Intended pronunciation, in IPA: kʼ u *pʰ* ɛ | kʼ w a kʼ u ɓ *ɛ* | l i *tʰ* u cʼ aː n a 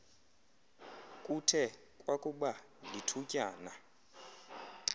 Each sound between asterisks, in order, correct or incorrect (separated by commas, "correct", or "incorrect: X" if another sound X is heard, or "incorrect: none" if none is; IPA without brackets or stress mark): incorrect: tʰ, incorrect: a, correct